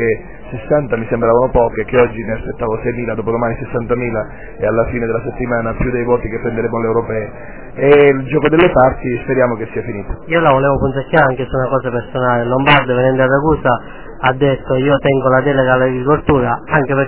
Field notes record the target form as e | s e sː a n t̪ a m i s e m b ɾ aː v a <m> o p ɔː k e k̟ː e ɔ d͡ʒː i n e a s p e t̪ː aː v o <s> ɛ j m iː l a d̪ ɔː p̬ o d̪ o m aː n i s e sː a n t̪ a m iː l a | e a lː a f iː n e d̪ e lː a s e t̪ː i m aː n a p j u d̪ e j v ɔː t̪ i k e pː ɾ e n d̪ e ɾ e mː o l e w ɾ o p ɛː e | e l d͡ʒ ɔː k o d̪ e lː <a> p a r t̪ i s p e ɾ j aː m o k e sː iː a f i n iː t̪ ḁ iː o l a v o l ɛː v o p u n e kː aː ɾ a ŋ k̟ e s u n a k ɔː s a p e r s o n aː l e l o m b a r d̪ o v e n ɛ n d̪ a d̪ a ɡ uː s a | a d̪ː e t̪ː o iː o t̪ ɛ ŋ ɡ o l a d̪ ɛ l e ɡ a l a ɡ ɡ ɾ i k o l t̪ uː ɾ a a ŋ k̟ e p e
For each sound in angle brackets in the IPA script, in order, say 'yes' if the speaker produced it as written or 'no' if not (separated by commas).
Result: no, yes, no